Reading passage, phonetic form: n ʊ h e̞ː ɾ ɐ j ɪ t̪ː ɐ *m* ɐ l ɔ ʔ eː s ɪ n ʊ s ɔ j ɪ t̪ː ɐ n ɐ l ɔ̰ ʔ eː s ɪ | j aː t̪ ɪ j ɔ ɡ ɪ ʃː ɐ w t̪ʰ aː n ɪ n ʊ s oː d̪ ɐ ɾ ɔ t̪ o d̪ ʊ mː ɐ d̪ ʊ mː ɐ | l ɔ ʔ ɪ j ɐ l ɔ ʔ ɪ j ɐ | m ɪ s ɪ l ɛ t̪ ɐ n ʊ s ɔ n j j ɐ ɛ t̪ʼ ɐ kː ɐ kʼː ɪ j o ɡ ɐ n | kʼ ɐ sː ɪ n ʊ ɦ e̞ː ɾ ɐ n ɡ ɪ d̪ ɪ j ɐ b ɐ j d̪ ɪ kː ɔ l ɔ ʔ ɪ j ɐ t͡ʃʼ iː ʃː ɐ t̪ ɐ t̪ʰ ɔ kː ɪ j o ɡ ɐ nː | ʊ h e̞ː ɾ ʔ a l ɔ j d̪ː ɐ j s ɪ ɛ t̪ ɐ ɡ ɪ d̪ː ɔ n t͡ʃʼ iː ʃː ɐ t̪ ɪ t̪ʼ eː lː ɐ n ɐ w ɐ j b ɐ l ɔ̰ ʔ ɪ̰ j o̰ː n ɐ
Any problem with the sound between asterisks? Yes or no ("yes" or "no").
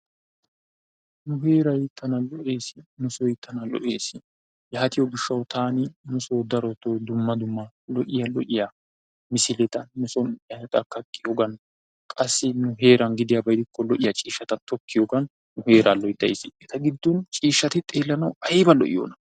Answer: yes